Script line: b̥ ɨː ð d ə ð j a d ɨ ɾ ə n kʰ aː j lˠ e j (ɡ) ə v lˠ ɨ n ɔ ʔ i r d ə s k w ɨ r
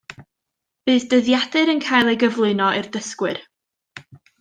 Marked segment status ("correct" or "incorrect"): correct